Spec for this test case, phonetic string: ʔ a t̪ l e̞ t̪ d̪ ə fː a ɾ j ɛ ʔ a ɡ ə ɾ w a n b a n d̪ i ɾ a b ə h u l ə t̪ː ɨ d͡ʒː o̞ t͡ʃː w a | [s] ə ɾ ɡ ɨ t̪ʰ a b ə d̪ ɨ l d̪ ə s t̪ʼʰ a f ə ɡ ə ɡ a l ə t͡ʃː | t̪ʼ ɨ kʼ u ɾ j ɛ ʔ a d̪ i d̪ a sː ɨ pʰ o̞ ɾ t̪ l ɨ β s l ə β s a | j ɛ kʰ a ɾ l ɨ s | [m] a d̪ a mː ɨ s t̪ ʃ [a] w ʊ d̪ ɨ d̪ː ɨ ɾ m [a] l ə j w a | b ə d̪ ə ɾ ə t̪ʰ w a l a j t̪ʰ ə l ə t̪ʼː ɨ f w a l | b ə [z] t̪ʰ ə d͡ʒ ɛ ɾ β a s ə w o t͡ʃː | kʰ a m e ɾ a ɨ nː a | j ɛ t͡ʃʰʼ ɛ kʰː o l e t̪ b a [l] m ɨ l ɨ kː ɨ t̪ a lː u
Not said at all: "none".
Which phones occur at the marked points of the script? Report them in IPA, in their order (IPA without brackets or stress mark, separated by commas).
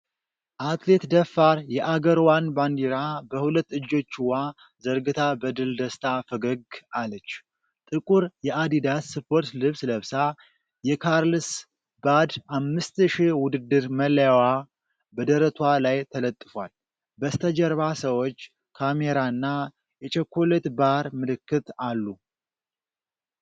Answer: z, b, i, ə, s, ɾ